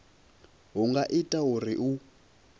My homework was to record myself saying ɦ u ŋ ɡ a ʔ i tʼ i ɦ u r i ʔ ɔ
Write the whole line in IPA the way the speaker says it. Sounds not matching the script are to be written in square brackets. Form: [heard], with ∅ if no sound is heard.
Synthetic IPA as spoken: ɦ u ŋ ɡ a ʔ i tʼ [a] ɦ u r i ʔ [u]